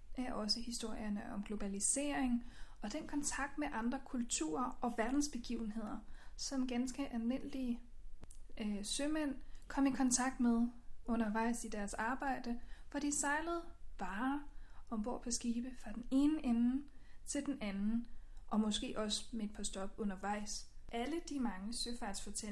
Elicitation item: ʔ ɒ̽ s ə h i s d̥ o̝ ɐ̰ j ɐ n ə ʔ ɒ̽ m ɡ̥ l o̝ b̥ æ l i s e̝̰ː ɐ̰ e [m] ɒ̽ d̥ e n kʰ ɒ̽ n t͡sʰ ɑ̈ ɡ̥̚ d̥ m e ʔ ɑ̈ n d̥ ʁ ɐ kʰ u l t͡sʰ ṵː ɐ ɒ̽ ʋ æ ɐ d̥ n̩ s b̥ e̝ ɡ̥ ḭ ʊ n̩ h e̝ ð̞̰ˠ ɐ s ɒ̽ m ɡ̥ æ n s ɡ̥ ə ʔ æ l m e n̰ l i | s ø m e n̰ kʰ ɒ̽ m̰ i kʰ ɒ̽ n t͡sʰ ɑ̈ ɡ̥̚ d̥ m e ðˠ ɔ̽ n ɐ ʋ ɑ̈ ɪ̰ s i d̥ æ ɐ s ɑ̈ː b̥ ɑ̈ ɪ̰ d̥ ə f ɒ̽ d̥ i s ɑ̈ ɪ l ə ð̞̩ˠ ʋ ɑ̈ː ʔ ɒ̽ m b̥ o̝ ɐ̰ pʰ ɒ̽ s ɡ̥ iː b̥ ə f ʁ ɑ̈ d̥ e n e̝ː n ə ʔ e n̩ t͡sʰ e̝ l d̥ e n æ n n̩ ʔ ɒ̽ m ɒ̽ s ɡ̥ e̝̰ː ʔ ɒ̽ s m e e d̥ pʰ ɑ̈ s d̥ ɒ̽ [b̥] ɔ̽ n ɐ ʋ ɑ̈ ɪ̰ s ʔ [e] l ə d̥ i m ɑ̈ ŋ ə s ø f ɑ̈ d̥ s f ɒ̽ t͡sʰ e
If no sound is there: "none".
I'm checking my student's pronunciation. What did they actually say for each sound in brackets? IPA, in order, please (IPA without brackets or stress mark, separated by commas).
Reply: ŋ, b̥, æ